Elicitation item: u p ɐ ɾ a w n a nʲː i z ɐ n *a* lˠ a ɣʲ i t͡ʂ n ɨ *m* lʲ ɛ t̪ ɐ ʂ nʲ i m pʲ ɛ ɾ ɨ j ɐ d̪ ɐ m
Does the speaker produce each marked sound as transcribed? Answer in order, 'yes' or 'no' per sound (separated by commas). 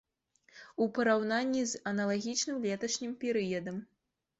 no, yes